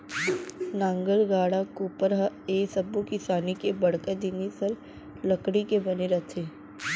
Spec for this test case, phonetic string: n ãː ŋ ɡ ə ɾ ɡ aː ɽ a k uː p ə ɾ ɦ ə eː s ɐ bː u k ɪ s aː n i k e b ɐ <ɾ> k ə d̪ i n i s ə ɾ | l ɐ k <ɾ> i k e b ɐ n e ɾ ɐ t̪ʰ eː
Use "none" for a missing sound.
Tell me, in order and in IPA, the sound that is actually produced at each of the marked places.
ɽ, ɽ

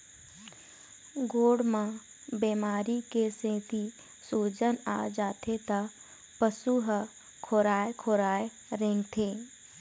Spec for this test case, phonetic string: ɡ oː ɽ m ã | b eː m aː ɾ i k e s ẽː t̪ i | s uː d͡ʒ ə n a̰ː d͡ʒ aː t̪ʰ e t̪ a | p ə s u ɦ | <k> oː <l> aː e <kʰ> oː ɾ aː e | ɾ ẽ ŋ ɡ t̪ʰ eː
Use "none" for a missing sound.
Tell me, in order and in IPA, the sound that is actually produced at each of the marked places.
kʰ, ɾ, kʰ

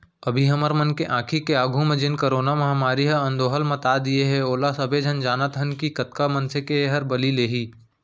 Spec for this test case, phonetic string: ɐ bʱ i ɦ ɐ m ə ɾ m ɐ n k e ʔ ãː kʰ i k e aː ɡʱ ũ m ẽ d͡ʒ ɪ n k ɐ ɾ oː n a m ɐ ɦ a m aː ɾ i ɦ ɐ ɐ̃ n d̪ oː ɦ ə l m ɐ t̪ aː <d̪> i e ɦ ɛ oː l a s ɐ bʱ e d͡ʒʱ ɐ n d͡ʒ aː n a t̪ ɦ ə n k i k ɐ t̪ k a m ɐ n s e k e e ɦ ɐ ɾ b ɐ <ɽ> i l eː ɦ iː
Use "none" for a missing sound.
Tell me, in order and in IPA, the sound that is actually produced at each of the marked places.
d̪, l

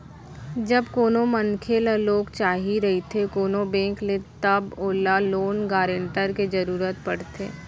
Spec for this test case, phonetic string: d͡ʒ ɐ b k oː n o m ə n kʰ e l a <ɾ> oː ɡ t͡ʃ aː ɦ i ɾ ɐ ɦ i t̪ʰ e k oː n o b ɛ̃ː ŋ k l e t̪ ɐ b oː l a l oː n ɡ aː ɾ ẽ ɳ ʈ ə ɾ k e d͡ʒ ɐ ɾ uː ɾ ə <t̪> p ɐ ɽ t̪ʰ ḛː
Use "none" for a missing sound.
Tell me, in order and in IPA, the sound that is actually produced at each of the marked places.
l, t̪

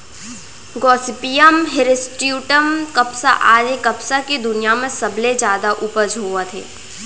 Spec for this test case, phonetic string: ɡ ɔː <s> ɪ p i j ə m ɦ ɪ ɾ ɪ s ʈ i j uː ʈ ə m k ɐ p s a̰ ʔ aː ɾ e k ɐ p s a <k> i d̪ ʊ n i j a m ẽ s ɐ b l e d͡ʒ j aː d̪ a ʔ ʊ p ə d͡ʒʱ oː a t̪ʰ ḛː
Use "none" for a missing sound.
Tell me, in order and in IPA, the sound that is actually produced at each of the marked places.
s, k

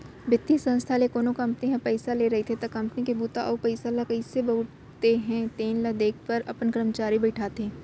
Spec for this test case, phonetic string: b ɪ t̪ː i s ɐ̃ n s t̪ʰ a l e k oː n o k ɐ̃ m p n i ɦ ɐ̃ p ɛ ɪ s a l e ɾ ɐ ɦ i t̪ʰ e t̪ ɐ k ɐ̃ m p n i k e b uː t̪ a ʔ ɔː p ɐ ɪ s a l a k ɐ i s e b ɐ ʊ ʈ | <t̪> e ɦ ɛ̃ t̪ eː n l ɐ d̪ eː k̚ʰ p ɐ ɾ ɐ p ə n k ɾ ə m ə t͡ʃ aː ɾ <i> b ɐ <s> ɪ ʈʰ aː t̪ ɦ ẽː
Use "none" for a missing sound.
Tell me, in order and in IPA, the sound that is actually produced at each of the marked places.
t̪, i, none

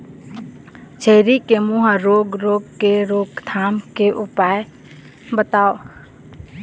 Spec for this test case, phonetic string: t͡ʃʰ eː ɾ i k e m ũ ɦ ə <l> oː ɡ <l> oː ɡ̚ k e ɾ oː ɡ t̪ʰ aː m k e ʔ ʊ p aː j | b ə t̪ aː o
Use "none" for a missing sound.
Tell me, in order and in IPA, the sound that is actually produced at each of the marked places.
ɾ, ɾ

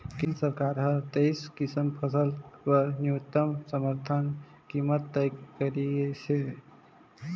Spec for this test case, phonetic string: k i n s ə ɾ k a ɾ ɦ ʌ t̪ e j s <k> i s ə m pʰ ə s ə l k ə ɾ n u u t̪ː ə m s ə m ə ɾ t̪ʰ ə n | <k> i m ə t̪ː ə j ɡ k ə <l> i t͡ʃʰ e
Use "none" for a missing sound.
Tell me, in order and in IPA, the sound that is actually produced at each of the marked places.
k, k, ɾ

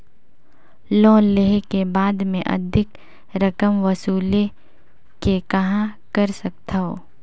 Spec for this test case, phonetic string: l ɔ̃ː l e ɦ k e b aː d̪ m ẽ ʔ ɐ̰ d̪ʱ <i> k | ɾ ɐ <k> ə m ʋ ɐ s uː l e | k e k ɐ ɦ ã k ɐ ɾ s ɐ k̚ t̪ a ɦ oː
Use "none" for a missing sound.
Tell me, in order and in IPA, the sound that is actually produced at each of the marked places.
ɪ, k

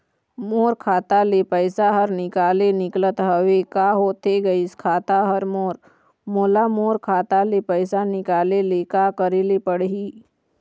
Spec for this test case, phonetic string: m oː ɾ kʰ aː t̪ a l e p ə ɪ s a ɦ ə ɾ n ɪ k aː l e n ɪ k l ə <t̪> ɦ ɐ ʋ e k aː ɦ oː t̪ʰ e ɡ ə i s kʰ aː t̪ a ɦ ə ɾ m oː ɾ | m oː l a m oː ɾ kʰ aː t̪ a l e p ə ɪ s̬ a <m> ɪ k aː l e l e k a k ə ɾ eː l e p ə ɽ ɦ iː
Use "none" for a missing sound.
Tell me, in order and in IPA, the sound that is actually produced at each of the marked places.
t̪, n

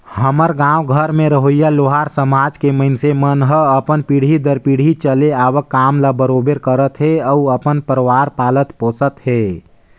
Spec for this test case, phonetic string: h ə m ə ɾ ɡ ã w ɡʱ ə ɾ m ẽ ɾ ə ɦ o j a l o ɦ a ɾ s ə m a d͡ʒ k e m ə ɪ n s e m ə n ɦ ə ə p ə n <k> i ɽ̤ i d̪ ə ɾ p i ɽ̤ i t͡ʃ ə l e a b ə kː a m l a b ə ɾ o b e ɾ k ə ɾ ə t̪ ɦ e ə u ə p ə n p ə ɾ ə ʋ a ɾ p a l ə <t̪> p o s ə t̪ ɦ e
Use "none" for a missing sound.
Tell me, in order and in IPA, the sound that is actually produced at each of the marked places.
p, t̪

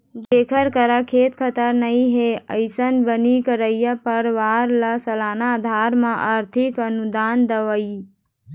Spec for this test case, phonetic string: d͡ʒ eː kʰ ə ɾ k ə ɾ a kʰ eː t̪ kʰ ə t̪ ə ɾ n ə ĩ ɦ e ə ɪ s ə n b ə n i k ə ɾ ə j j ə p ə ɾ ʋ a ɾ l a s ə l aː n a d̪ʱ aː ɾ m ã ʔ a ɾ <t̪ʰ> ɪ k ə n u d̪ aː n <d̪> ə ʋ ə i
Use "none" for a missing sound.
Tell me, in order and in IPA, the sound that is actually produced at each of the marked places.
t̪ʰ, d̪

